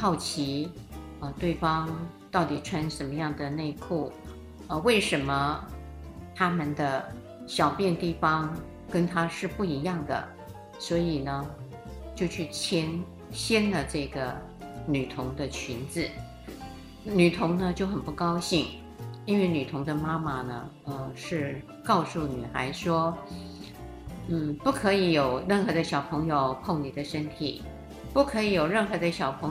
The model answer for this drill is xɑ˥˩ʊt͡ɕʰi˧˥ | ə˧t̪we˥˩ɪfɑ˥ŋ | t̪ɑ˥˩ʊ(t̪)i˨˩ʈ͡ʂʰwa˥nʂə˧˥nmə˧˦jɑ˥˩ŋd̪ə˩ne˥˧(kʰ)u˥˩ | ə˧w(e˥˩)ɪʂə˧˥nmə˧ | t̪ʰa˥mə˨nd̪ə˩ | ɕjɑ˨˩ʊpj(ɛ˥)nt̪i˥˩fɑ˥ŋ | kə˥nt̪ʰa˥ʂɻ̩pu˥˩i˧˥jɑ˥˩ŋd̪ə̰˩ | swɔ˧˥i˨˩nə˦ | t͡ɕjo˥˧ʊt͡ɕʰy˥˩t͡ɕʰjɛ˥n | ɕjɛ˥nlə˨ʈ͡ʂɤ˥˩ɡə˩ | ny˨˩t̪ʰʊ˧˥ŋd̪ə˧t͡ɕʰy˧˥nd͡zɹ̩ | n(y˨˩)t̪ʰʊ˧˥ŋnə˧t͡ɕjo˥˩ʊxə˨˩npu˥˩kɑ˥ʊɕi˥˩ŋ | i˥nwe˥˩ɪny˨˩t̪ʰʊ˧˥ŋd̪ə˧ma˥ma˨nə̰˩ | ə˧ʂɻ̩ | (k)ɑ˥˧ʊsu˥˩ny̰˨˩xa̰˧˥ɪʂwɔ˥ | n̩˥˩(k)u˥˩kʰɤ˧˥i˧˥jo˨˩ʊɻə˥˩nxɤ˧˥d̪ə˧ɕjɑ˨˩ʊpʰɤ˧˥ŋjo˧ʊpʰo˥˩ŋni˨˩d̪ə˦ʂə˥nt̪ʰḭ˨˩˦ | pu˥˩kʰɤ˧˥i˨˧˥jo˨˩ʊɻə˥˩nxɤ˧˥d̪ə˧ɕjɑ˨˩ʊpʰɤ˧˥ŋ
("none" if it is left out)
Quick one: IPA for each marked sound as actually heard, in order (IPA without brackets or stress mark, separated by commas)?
t̪, kʰ, e˥˩, ɛ˥˧, y˨˩, k, p